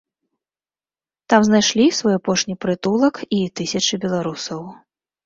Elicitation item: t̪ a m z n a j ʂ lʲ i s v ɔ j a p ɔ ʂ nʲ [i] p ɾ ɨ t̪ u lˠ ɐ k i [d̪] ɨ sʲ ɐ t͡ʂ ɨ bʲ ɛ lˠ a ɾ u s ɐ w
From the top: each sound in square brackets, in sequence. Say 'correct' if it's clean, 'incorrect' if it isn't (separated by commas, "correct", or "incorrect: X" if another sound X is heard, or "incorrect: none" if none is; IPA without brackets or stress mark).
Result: correct, incorrect: t̪